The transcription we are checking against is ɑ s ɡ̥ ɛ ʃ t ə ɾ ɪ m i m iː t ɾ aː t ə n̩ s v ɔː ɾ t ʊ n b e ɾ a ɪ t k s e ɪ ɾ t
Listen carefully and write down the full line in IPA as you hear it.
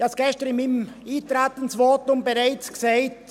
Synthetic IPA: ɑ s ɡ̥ ɛ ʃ t ə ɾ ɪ m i m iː t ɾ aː t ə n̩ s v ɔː t ʊ m b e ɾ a ɪ t͡s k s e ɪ t